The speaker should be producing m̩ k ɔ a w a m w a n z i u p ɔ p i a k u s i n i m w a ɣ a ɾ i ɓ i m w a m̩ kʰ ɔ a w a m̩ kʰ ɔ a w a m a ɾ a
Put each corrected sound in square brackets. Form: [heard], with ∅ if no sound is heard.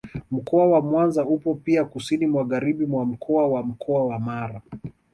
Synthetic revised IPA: m̩ k ɔ a w a m w a n z [a] u p ɔ p i a k u s i n i m w a ɣ a ɾ i ɓ i m w a m̩ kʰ ɔ a w a m̩ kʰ ɔ a w a m a ɾ a